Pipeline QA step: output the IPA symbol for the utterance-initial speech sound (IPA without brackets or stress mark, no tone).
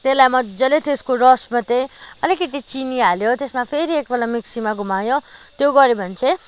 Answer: t̪